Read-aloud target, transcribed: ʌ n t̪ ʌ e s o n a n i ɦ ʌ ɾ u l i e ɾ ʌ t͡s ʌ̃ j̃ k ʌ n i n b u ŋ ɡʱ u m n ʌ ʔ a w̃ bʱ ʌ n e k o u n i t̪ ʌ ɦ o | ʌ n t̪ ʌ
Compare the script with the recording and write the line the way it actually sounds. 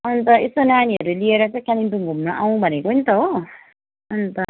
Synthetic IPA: ʌ n t̪ ʌ e s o n a n i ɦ ʌ ɾ u l i e ɾ ʌ t͡s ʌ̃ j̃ k a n i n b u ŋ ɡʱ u m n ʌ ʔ a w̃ bʱ ʌ n e k o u n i t̪ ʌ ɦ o | ʌ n t̪ ʌ